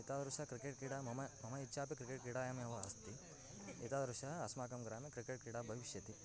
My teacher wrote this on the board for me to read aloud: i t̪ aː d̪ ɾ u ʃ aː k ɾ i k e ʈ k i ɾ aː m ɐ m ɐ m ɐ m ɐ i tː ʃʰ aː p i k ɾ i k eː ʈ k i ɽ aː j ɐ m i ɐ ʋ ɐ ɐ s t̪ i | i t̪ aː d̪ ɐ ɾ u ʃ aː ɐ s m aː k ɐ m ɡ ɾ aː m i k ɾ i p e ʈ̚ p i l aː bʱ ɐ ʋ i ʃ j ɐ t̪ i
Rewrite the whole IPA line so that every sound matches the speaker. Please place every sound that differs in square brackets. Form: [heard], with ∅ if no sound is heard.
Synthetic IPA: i t̪ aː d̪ ɾ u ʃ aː k ɾ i k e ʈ k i [ɽ] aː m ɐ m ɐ m ɐ m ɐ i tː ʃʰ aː p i k ɾ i k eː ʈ k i ɽ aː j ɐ m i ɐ ʋ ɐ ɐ s t̪ i | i t̪ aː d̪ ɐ ɾ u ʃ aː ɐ s m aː k ɐ m ɡ ɾ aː m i k ɾ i [k] e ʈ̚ [k] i [ɽ] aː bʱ ɐ ʋ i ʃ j ɐ t̪ i

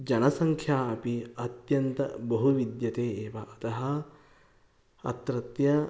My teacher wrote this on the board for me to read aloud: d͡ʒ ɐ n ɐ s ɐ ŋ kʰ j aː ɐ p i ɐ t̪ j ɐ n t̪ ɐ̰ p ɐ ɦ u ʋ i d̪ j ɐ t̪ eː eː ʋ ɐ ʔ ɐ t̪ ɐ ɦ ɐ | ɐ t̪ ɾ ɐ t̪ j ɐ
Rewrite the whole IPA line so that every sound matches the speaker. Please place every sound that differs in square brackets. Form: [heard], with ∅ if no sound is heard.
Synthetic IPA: d͡ʒ ɐ n ɐ s ɐ ŋ kʰ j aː ɐ p i ɐ t̪ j ɐ n t̪ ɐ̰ [b] ɐ ɦ u ʋ i d̪ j ɐ t̪ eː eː ʋ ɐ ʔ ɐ t̪ ɐ ɦ ɐ | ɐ t̪ ɾ ɐ t̪ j ɐ

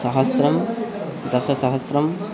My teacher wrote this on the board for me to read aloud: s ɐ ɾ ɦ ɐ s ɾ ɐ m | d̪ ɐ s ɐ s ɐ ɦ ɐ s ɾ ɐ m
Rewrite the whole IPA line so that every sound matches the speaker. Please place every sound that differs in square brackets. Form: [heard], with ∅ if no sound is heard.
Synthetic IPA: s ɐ [∅] ɦ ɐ s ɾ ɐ m | d̪ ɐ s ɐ s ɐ ɦ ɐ s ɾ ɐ m

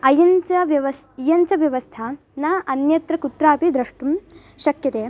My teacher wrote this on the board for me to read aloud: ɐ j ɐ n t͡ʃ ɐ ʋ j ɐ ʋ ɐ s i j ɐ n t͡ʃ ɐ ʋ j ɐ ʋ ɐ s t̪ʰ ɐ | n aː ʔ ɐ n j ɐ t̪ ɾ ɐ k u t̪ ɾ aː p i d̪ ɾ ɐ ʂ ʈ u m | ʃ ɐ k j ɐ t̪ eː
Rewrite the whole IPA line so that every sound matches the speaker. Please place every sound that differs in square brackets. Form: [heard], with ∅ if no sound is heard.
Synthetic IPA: ɐ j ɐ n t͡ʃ ɐ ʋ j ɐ ʋ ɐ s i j ɐ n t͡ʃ ɐ ʋ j ɐ ʋ ɐ s t̪ʰ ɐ | n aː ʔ ɐ n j ɐ t̪ ɾ ɐ k u t̪ ɾ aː p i d̪ ɾ ɐ ʂ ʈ u m | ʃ ɐ k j ɐ t̪ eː

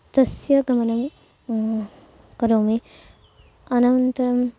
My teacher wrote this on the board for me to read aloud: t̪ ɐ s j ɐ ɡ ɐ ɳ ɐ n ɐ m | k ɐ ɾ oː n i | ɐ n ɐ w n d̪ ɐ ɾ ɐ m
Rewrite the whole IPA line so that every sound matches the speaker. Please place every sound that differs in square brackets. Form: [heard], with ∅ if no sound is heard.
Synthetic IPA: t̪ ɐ s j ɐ ɡ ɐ [m] ɐ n ɐ m | k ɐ ɾ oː [m] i | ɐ n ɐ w n [t̪] ɐ ɾ ɐ m

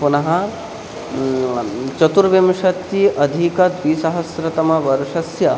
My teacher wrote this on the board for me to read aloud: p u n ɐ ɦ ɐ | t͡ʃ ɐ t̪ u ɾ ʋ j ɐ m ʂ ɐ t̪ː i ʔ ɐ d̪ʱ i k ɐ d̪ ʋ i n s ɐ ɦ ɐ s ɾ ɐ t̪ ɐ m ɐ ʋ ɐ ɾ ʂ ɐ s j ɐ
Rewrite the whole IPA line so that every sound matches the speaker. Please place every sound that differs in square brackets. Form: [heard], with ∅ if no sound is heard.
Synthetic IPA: p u n ɐ ɦ ɐ | t͡ʃ ɐ t̪ u ɾ ʋ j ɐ m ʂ ɐ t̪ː i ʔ ɐ d̪ʱ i k ɐ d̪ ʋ i [∅] s ɐ ɦ ɐ s ɾ ɐ t̪ ɐ m ɐ ʋ ɐ ɾ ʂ ɐ s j ɐ

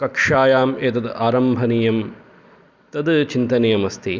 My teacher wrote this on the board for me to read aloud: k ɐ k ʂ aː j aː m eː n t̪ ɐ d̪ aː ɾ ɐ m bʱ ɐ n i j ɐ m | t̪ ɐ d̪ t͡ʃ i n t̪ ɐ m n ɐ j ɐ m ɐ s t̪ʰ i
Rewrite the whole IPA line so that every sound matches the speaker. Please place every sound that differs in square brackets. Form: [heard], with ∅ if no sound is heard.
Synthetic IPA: k ɐ k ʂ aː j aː m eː [∅] t̪ ɐ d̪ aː ɾ ɐ m bʱ ɐ n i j ɐ m | t̪ ɐ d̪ t͡ʃ i n t̪ ɐ [∅] n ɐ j ɐ m ɐ s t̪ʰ i

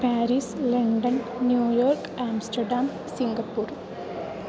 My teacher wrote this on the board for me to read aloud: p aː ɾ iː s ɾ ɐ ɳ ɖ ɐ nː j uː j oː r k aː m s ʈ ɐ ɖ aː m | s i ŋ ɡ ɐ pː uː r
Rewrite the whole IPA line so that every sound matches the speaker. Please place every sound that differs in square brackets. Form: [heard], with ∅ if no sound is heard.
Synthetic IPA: p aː ɾ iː s [l] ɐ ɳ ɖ ɐ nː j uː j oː r k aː m s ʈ ɐ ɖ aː m | s i ŋ ɡ ɐ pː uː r

